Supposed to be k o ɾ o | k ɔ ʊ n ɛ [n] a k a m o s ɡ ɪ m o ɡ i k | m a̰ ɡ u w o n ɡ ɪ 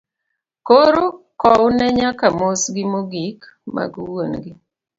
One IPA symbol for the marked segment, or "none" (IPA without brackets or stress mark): ɲ